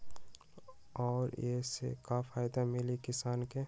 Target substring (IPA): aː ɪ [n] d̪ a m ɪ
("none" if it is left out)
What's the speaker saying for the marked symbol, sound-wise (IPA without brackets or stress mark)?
none